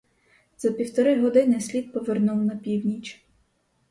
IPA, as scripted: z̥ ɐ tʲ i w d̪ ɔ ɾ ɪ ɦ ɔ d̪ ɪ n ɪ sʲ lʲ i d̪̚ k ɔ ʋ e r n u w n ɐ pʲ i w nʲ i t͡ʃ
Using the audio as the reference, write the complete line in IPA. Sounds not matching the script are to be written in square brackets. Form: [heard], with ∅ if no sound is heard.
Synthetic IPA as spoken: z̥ ɐ [pʲ] i w [t̪] ɔ ɾ ɪ ɦ ɔ d̪ ɪ n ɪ sʲ lʲ i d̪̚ [p] ɔ ʋ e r n u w n ɐ pʲ i w nʲ i t͡ʃ

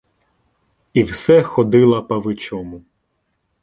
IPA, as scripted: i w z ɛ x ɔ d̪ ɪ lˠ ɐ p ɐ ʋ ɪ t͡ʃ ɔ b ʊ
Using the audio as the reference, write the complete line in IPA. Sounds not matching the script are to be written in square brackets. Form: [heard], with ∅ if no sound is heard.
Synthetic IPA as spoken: i w [s] ɛ x ɔ d̪ ɪ lˠ ɐ p ɐ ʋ ɪ t͡ʃ ɔ [m] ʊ

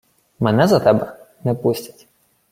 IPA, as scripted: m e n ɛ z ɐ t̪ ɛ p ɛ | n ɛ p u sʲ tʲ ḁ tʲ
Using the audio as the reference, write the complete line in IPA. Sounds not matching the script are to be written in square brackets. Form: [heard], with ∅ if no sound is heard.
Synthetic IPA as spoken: m [ɛ] n ɛ z ɐ t̪ ɛ [b] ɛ | n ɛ p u sʲ tʲ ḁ tʲ

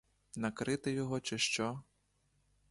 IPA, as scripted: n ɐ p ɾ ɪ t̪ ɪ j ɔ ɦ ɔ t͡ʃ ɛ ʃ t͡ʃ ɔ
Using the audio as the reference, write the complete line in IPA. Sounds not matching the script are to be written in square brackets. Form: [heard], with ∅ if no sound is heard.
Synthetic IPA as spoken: n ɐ [k] ɾ ɪ t̪ ɪ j ɔ ɦ ɔ t͡ʃ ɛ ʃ t͡ʃ ɔ

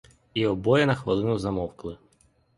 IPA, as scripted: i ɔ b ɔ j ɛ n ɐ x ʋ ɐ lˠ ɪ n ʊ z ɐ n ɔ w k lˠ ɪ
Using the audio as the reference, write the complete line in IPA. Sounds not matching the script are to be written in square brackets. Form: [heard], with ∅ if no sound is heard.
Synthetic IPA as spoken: i ɔ b ɔ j ɛ n ɐ x ʋ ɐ lˠ ɪ n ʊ z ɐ [m] ɔ w k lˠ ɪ

